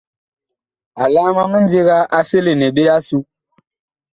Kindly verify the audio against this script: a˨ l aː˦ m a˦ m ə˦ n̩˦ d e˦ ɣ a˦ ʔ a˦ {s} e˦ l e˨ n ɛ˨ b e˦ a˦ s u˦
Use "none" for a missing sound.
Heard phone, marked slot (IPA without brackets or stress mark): s